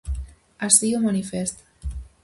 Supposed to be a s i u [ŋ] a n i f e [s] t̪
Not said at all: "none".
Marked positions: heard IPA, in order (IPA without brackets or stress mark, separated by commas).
m, s